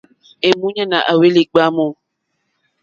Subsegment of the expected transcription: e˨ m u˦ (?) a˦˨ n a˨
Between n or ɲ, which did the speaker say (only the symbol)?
ɲ